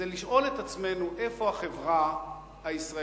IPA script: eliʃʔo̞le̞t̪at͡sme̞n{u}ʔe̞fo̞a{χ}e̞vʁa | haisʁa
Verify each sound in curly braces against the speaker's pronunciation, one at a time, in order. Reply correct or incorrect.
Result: correct, correct

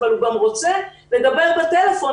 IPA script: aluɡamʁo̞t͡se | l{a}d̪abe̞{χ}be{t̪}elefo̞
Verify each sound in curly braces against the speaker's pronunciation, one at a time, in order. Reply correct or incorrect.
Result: incorrect, incorrect, correct

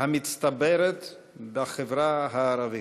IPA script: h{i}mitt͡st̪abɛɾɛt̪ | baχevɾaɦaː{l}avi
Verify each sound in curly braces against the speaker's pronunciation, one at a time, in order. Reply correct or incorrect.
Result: incorrect, incorrect

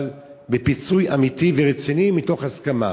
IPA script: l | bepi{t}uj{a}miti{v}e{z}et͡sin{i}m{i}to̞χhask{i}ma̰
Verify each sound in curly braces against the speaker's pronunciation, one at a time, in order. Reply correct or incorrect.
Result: incorrect, correct, correct, incorrect, correct, correct, incorrect

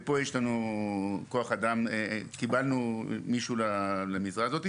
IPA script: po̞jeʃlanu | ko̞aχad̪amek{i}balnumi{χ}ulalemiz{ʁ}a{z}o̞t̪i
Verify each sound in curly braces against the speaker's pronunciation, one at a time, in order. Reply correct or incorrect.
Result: correct, incorrect, correct, correct

